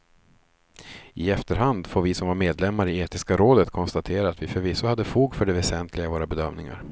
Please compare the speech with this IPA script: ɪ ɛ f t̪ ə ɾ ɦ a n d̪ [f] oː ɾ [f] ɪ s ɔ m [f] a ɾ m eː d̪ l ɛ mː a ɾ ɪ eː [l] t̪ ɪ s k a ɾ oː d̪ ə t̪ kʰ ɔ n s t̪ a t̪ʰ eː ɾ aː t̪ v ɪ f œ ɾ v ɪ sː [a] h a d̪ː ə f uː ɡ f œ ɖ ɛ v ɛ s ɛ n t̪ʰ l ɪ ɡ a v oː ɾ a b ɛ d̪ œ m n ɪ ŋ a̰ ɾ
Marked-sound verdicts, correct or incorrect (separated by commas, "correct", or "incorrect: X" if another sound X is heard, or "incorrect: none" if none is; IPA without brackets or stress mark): correct, incorrect: v, incorrect: v, incorrect: none, correct